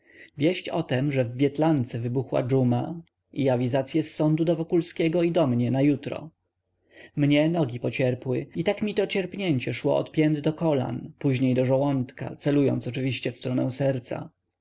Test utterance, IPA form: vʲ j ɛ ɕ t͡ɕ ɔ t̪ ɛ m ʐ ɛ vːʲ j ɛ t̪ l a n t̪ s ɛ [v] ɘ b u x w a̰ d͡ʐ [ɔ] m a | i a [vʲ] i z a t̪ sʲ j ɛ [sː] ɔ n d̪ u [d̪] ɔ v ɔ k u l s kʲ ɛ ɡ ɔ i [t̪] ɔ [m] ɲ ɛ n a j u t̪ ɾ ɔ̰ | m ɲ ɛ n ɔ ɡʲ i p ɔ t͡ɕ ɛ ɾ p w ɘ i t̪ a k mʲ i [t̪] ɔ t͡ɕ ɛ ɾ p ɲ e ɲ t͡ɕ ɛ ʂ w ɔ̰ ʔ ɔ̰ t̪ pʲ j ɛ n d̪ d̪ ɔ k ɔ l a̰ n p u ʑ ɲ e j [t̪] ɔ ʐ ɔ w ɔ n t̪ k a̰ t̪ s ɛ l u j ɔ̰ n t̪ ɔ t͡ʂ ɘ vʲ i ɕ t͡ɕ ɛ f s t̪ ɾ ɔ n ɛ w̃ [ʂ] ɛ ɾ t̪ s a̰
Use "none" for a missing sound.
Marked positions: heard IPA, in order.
v, u, vʲ, sː, d̪, d̪, m, t̪, d̪, s

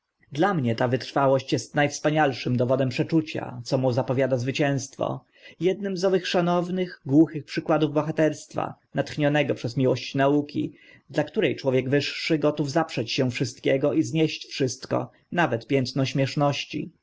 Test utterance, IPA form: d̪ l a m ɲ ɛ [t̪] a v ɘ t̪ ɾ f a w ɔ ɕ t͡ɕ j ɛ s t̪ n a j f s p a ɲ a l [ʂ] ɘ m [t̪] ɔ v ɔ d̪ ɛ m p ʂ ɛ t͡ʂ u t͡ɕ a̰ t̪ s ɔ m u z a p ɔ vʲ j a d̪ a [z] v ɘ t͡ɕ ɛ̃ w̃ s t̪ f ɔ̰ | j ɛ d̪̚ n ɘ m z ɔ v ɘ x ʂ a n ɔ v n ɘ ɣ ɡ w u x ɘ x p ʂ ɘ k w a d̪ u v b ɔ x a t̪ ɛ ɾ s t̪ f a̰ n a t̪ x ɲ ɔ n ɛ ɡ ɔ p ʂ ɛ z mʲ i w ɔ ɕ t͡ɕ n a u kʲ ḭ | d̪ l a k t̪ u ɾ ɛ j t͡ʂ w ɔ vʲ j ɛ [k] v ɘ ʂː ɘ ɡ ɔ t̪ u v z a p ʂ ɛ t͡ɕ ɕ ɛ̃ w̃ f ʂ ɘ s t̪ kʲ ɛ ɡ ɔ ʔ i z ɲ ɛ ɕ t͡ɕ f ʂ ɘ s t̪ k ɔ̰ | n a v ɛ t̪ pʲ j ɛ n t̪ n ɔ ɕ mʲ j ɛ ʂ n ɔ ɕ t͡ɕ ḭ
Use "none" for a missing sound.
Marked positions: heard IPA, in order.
t̪, ʂ, d̪, z, ɡ

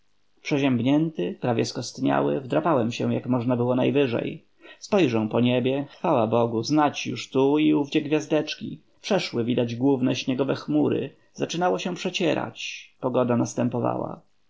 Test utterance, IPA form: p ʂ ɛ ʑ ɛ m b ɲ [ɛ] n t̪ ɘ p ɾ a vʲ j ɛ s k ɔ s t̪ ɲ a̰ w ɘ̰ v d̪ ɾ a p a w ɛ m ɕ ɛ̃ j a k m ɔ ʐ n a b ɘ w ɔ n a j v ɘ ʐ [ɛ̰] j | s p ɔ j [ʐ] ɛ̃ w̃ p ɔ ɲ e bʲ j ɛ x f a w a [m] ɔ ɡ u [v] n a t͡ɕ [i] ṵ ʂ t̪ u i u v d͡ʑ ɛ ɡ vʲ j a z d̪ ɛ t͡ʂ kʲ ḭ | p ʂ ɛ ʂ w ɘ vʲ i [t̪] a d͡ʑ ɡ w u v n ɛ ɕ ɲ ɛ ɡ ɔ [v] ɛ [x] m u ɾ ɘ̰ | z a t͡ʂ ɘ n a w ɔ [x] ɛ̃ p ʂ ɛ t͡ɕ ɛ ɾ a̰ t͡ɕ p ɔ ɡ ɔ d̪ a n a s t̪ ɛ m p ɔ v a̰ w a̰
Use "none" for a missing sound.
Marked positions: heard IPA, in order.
ɛ, ɛ̰, ʐ, b, z, j, d̪, v, x, ɕ

